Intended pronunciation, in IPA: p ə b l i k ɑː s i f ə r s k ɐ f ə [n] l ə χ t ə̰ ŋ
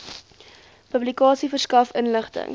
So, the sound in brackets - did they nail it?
yes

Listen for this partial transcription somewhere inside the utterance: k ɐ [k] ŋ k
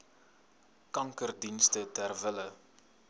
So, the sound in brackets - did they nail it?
no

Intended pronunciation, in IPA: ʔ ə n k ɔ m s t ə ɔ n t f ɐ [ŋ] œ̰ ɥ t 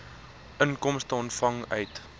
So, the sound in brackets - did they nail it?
yes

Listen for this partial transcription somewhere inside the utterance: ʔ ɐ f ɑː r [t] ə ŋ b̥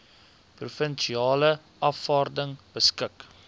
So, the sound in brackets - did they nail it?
no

